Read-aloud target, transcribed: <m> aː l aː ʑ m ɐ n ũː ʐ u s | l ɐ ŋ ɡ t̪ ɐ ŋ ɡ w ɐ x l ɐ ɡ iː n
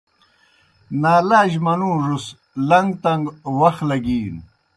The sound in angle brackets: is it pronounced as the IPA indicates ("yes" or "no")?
no